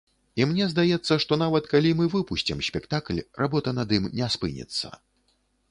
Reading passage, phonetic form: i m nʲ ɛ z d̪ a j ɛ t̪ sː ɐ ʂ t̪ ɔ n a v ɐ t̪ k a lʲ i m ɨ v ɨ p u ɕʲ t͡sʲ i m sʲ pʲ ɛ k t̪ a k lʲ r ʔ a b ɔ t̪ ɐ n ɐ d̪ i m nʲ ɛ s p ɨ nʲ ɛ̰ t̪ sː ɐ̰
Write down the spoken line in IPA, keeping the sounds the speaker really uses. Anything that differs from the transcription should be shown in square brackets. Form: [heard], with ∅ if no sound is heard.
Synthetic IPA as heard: i m nʲ ɛ z d̪ a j ɛ t̪ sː ɐ ʂ t̪ ɔ n a v ɐ t̪ k a lʲ i m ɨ v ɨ p u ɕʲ t͡sʲ i m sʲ pʲ ɛ k t̪ a k lʲ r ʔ a b ɔ t̪ ɐ n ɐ d̪ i m nʲ ɛ s p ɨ nʲ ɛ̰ t̪ sː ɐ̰